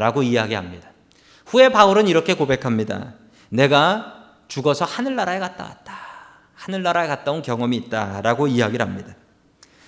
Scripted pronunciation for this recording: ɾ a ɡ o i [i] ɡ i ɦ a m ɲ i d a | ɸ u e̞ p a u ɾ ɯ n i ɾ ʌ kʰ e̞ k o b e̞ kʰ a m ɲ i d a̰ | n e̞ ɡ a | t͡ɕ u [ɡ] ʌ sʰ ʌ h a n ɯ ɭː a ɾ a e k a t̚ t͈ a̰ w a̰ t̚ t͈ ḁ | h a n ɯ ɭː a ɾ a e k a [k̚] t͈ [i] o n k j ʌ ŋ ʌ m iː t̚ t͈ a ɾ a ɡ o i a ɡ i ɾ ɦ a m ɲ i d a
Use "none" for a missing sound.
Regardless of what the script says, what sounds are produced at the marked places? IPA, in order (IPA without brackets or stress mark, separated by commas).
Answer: a, ɡ, t̚, a